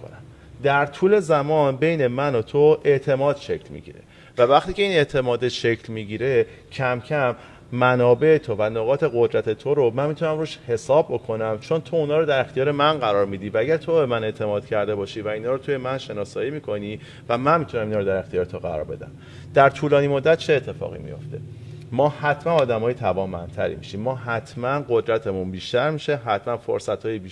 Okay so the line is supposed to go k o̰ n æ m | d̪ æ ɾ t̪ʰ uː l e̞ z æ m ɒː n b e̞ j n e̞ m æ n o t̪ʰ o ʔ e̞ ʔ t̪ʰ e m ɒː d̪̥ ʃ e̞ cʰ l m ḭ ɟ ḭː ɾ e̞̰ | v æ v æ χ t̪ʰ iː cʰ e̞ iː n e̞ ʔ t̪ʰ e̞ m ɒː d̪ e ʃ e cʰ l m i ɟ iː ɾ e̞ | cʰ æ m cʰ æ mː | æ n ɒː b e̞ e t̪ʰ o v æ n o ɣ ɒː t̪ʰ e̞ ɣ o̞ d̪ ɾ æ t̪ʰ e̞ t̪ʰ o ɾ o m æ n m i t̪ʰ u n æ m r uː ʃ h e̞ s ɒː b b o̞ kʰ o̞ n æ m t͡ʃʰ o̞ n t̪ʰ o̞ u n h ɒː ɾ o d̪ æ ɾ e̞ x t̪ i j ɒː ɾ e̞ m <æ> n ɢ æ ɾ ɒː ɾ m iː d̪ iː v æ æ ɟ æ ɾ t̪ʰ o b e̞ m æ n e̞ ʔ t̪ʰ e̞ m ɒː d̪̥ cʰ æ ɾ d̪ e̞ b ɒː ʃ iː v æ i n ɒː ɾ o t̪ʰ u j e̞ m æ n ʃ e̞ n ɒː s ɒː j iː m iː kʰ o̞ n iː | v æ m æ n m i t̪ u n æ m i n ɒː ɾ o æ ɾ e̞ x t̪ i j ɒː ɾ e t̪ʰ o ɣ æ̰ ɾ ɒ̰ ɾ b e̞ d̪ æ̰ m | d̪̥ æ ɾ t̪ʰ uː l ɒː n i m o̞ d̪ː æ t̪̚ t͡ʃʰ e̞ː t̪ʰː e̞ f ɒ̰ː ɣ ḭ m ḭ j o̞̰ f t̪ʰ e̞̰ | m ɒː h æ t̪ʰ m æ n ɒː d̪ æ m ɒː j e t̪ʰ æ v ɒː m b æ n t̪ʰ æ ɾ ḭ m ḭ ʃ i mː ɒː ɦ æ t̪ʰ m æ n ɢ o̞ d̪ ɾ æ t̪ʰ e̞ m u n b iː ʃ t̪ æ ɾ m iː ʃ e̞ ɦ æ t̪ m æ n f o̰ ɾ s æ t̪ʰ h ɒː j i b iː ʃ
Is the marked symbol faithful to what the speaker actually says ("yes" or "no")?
yes